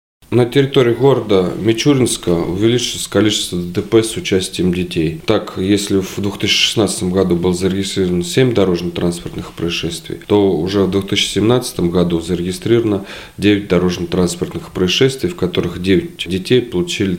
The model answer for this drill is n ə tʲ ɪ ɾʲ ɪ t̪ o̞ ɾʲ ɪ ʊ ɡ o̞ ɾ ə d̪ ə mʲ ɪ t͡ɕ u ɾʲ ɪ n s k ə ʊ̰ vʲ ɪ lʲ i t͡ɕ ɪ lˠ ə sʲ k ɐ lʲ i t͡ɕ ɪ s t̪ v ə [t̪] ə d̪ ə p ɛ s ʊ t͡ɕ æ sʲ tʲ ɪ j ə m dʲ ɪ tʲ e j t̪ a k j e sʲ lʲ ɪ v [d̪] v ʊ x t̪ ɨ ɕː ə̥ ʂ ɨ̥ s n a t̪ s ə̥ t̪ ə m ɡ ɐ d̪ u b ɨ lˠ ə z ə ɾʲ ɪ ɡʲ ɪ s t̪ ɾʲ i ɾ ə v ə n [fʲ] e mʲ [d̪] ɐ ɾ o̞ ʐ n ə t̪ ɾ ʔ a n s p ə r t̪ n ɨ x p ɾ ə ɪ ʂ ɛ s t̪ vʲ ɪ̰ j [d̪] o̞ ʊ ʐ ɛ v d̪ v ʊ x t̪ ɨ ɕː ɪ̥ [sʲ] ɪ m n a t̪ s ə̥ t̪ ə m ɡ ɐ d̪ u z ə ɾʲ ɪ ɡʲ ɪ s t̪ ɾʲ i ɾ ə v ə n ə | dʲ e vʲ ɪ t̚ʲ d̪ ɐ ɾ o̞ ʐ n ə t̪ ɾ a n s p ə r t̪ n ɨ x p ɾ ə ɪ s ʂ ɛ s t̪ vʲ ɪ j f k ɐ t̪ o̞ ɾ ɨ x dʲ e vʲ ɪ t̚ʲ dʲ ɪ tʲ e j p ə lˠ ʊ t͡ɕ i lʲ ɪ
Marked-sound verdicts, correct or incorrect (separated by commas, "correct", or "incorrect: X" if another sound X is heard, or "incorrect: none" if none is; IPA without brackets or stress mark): incorrect: d̪, correct, incorrect: sʲ, correct, incorrect: t̪, correct